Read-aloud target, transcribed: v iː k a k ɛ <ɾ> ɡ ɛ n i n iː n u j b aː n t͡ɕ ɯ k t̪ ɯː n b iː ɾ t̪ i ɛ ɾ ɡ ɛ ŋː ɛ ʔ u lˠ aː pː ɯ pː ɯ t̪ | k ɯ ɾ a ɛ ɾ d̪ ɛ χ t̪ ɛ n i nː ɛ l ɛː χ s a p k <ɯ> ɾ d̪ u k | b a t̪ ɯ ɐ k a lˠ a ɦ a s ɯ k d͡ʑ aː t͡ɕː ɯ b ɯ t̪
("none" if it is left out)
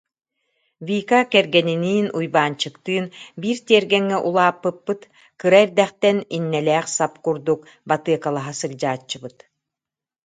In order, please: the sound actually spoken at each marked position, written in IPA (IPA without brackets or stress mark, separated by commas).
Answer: ɾ, u